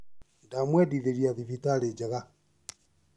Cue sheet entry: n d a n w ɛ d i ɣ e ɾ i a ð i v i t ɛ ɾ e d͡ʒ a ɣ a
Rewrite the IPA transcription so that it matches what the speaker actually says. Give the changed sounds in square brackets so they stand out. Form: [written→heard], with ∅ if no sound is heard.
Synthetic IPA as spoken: n d a [n→m] w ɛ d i [ɣ→ð] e ɾ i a ð i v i t [ɛ→a] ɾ e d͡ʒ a ɣ a